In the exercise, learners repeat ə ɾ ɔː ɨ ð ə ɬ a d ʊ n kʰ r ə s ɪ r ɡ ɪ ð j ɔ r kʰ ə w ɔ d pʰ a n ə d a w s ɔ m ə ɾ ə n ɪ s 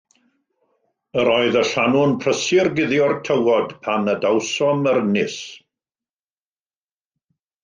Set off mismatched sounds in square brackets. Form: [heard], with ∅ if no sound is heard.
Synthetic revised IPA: ə ɾ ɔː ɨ ð ə ɬ a [n] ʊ n [pʰ] r ə s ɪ r ɡ ɪ ð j ɔ r [tʰ] ə w ɔ d pʰ a n ə d a w s ɔ m ə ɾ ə n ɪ s